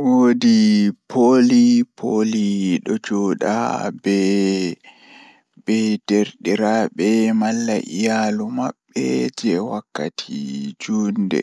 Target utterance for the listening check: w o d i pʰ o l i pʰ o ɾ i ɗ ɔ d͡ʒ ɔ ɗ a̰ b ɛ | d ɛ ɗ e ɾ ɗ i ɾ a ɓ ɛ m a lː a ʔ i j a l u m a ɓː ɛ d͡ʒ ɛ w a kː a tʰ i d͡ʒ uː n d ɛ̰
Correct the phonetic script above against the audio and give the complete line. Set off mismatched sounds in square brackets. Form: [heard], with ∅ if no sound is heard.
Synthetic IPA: w o d i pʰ o l i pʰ o [l] i ɗ ɔ d͡ʒ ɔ ɗ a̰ b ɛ | [b] ɛ [d] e ɾ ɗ i ɾ a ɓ ɛ m a lː a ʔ i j a l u m a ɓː ɛ d͡ʒ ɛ w a kː a tʰ i d͡ʒ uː n d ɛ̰